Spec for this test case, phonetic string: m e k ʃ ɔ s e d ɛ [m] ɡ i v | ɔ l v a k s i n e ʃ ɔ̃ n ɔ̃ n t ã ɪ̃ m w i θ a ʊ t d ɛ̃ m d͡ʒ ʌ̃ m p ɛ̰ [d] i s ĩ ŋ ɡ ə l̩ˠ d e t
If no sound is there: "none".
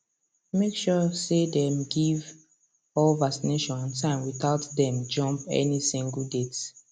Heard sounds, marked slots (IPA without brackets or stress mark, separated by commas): m, n